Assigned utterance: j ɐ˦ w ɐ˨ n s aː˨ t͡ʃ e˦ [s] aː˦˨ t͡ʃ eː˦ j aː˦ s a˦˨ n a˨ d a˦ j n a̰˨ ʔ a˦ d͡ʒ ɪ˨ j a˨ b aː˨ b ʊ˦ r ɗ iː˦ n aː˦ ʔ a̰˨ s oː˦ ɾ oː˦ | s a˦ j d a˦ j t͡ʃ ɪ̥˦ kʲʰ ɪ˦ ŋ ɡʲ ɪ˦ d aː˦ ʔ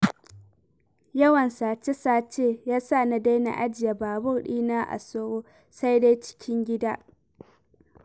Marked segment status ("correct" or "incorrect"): correct